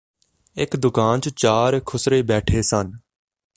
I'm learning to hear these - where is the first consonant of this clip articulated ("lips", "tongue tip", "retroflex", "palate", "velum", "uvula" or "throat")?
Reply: velum